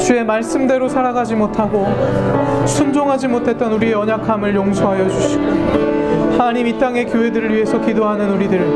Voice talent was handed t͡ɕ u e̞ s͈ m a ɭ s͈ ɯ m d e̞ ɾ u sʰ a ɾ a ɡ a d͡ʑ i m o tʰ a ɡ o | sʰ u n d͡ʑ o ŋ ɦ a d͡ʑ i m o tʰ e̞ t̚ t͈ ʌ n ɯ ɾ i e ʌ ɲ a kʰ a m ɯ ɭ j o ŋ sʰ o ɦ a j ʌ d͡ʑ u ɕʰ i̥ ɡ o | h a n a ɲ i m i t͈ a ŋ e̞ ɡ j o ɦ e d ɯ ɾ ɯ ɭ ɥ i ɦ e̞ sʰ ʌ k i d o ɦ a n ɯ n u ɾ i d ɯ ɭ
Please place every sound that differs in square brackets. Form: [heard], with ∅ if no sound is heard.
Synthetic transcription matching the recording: t͡ɕ u e̞ [∅] m a ɭ s͈ ɯ m d e̞ ɾ [o] sʰ a ɾ a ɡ a d͡ʑ i m o tʰ a ɡ o | sʰ u n d͡ʑ o ŋ ɦ a d͡ʑ i m o tʰ e̞ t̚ t͈ ʌ n [u] ɾ i e ʌ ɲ a kʰ a m ɯ ɭ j o ŋ sʰ o ɦ a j ʌ d͡ʑ u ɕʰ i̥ ɡ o | h a n a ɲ i m i t͈ a ŋ e̞ [k] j o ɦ e d ɯ ɾ ɯ ɭ ɥ i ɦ e̞ sʰ ʌ k i d o ɦ a n ɯ n u ɾ i d ɯ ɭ